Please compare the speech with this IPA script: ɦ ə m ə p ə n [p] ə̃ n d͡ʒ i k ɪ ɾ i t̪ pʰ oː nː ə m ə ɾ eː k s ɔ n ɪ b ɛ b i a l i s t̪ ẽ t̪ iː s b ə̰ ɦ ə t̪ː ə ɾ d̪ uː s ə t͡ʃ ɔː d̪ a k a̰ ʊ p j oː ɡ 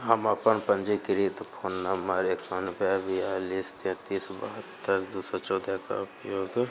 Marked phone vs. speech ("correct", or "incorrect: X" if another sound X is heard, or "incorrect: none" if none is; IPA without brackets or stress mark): correct